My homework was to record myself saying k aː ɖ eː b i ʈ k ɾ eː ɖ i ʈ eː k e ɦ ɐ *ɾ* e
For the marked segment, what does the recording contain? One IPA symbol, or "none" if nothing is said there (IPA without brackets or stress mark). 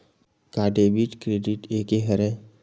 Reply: ɾ